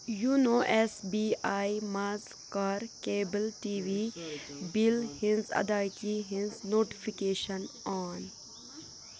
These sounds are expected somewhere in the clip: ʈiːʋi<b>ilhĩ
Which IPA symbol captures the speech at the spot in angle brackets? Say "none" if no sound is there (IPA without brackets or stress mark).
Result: b